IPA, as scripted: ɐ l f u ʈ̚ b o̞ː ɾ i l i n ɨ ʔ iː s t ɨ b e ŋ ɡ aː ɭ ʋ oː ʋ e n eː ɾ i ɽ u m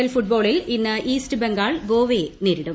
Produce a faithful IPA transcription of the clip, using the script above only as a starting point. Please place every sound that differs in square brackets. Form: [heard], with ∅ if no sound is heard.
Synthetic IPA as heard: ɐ l f u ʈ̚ b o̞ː [ɭ] i l i [nː] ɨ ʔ iː s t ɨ b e ŋ ɡ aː ɭ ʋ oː ʋ e n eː ɾ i ɽ u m